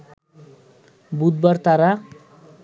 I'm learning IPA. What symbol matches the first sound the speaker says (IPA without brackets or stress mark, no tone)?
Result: b